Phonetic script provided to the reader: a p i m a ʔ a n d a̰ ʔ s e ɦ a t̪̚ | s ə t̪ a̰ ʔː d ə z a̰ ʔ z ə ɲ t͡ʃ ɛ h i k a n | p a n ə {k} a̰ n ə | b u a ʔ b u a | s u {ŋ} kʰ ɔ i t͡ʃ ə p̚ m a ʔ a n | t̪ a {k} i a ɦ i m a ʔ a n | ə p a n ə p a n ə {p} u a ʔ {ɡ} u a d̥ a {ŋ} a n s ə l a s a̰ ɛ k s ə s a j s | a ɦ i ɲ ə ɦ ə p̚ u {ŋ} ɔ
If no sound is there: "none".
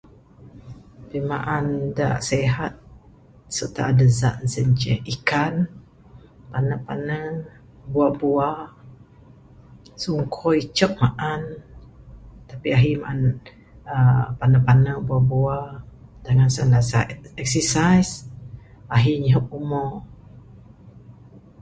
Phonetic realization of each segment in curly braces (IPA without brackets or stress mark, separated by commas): p, ŋ, p, b, b, ŋ, m